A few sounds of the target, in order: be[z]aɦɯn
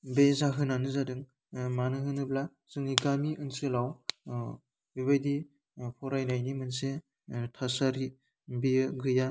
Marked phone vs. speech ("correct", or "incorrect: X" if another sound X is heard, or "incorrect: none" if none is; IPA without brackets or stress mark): correct